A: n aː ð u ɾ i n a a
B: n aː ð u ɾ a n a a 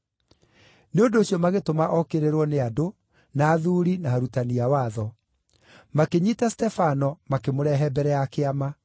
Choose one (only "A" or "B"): A